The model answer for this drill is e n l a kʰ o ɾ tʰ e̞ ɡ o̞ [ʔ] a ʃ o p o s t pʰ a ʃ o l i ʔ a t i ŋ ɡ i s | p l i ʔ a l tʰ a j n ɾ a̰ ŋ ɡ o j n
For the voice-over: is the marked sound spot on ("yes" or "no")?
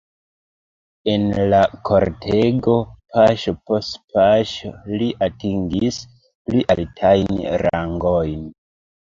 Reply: no